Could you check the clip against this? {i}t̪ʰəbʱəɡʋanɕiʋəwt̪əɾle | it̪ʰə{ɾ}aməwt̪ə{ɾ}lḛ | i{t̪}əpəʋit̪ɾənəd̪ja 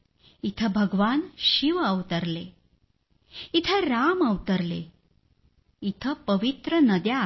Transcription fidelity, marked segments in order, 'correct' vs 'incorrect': correct, correct, correct, incorrect: t̪ʰ

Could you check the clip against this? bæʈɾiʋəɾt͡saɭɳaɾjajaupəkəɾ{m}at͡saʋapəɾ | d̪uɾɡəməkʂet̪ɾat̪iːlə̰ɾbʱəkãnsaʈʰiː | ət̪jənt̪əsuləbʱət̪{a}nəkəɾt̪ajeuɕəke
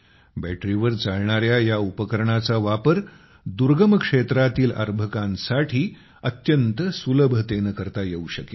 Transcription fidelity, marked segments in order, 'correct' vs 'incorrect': incorrect: ɳ, incorrect: e

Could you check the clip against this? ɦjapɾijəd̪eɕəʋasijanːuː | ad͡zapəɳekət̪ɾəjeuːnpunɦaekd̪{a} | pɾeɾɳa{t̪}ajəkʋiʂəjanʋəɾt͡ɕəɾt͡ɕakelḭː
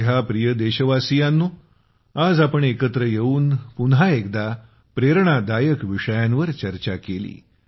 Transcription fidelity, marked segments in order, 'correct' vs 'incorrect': correct, incorrect: d̪

